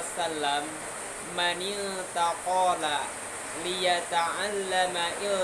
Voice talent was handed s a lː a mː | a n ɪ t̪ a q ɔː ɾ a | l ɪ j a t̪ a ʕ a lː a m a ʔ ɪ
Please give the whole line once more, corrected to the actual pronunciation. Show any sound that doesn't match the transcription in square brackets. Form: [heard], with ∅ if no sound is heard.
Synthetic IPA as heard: s a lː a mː | a n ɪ t̪ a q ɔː [l] a | l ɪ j a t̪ a ʕ a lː a m a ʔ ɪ